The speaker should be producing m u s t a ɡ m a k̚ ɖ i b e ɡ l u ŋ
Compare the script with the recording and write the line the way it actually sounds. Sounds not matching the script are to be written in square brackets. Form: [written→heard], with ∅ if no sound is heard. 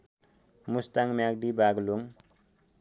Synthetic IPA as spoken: m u s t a [ɡ→ŋ] m a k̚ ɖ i b [e→a] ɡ l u ŋ